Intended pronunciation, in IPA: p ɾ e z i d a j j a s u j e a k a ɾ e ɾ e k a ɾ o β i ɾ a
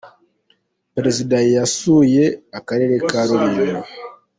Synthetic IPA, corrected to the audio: p ɾ e z i d a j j a s u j e a k a ɾ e ɾ e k a ɾ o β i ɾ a